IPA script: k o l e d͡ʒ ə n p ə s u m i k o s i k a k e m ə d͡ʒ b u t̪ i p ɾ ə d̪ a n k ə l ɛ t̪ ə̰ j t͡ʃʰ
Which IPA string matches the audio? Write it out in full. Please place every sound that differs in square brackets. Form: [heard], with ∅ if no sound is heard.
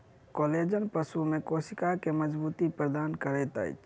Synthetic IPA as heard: k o l e d͡ʒ ə n p ə s u m [e] k o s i k a k e m ə d͡ʒ b u t̪ i p ɾ ə d̪ a n k ə [ɾ] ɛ t̪ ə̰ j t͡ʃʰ